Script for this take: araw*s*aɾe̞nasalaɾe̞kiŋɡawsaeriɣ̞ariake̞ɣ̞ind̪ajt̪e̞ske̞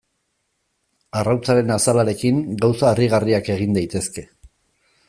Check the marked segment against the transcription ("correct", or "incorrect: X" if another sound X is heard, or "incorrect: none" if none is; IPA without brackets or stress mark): incorrect: t͡s